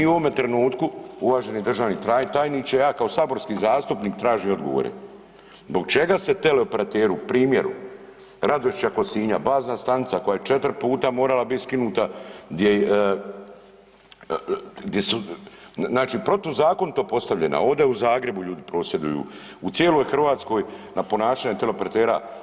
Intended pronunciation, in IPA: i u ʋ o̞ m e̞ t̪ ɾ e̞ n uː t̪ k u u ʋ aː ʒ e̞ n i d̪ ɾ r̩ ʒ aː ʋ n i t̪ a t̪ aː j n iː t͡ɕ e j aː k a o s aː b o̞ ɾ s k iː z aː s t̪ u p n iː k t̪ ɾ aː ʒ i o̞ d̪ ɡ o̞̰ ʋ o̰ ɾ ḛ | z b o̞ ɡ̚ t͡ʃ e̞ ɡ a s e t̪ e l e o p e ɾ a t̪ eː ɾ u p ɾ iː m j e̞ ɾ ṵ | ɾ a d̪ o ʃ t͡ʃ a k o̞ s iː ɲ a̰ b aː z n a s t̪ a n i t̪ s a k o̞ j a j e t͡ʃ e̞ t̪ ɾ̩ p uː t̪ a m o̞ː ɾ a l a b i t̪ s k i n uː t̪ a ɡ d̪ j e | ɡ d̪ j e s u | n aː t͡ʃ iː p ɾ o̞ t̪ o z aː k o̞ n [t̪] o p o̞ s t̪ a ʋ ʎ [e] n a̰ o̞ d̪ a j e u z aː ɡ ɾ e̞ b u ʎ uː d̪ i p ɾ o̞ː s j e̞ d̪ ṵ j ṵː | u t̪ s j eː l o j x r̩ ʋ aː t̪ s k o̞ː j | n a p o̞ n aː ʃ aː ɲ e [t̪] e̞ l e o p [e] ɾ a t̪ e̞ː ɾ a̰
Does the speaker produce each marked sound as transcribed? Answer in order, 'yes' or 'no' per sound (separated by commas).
yes, yes, yes, yes